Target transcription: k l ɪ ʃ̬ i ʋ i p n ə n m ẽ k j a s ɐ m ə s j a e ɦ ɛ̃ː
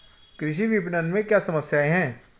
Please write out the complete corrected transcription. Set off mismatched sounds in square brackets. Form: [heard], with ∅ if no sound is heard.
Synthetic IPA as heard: k [ɾ] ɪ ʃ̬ i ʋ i p n ə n m ẽ k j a s ɐ m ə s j a e ɦ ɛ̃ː